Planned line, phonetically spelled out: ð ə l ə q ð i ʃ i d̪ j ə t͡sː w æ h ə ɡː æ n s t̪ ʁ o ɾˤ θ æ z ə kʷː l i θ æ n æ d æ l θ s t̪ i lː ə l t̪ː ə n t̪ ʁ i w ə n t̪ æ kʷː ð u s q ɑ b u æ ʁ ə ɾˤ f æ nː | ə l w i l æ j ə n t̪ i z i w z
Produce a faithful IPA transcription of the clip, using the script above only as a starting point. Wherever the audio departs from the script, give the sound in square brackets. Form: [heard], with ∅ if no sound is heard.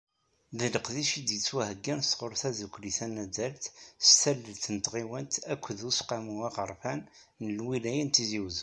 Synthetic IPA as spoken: ð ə l ə q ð i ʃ i d̪ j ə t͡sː w æ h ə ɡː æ n s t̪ ʁ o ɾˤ θ æ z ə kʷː l i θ æ n æ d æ l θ s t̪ [æ] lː ə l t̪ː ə n t̪ ʁ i w ə n t̪ æ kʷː ð u s q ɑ [m] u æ ʁ ə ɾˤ f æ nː | ə l w i l æ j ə n t̪ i z i w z

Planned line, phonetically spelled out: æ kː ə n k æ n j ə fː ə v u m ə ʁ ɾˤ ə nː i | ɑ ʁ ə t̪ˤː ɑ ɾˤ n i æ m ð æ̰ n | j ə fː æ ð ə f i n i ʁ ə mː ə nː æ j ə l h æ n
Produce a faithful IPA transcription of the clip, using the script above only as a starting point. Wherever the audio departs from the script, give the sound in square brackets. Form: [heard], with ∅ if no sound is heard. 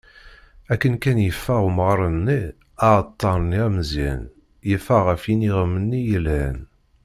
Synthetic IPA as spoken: æ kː ə n k æ n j ə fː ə [ʁ] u m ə ʁ ɾˤ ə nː i | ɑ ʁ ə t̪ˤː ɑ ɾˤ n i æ m [z] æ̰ n | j ə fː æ [ʁ] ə f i n i ʁ ə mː ə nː [i] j ə l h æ n

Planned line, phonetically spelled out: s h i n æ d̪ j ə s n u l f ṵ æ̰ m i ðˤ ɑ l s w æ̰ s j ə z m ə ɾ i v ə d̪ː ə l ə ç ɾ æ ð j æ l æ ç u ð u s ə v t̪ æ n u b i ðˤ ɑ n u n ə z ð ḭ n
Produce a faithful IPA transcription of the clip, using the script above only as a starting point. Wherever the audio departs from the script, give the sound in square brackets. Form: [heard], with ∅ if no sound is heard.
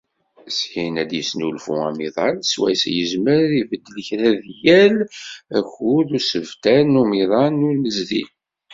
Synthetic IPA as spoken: s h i n æ d̪ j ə s n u l f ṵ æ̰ m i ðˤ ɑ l s w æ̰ s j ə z m ə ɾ i v ə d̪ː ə l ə ç ɾ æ ð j æ l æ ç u ð u s ə v t̪ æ n u [m] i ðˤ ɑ n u n ə z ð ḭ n

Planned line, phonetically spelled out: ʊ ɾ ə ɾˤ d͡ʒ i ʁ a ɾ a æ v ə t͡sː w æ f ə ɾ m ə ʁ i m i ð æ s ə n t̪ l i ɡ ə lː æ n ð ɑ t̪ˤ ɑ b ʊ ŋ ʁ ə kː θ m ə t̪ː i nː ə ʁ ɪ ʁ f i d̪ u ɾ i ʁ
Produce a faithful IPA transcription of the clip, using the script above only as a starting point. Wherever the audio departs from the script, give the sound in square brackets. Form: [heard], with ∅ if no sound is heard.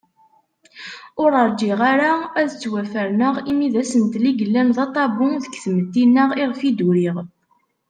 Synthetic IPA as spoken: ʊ ɾ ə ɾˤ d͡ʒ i ʁ a ɾ a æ [ð] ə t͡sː w æ f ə ɾ [n] ə ʁ i m i ð æ s ə n t̪ l i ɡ ə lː æ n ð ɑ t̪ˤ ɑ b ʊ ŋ [ð] ə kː θ m ə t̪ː i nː ə ʁ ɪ ʁ f i d̪ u ɾ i ʁ

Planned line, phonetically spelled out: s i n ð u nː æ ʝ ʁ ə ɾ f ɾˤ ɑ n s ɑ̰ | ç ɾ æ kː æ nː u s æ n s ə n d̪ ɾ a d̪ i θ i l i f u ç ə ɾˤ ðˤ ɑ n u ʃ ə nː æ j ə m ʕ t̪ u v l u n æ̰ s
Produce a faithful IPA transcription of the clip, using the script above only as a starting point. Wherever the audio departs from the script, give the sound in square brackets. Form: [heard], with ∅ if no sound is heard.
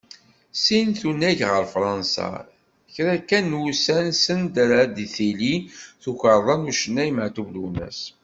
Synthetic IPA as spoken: s i n [θ] u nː æ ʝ ʁ ə ɾ f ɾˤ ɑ n s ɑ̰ | ç ɾ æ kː æ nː u s æ n s ə n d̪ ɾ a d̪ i θ i l i [θ] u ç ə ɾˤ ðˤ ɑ n u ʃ ə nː æ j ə m ʕ t̪ u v l u n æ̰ s

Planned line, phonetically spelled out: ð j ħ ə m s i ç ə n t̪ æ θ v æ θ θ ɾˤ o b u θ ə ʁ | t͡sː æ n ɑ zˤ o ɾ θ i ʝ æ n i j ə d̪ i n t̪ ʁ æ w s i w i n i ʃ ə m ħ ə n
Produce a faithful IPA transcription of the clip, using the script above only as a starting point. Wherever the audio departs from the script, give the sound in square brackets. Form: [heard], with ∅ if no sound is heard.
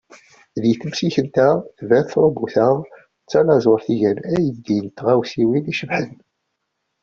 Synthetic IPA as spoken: ð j [θ] ə m s i ç ə n t̪ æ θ v æ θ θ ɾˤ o b u θ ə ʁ | t͡sː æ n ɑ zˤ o ɾ θ i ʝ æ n [æ] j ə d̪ i n t̪ ʁ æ w s i w i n i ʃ ə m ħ ə n

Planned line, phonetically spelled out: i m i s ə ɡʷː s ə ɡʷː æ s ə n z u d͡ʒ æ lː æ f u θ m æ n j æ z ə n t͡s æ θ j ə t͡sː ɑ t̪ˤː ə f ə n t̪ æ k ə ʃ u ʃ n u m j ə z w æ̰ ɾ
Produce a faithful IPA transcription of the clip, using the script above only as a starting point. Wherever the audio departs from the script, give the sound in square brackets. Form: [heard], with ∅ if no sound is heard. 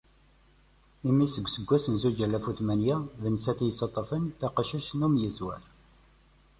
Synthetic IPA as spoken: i m i s ə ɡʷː s ə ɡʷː æ s ə n z u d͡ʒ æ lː æ f u θ m æ n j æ [ð] ə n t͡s æ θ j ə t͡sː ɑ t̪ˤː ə f ə n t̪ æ [q] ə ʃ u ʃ n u m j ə z w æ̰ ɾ

